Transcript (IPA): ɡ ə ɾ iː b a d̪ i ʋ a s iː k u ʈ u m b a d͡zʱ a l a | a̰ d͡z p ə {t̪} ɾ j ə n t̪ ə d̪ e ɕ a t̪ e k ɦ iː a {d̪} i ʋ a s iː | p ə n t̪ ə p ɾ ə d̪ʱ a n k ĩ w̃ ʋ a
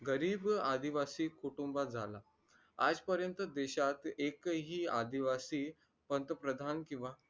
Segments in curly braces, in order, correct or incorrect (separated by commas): incorrect, correct